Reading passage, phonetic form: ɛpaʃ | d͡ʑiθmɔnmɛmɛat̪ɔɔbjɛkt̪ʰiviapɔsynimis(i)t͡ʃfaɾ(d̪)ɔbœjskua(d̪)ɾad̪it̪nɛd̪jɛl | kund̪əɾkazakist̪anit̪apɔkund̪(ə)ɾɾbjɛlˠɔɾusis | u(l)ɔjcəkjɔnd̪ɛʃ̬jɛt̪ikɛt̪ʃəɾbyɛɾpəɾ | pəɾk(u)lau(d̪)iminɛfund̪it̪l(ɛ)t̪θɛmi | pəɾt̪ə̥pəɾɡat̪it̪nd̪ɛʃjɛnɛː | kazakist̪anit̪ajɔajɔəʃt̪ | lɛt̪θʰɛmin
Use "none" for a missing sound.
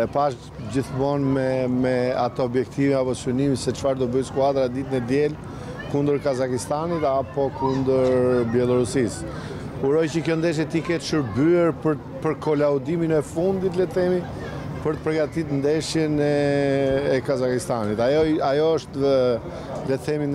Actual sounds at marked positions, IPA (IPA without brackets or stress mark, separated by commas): ɛ, d̪, d̪, ə, ɾ, ɔ, d̪, ɛ